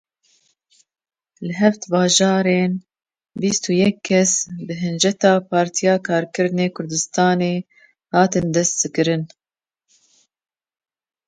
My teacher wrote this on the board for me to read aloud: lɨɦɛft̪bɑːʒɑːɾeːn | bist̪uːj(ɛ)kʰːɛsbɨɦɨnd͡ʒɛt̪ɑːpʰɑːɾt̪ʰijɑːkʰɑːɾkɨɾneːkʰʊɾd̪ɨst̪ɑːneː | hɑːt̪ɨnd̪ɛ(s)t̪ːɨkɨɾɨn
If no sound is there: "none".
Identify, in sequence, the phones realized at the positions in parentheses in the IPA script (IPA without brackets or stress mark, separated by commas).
ɛ, s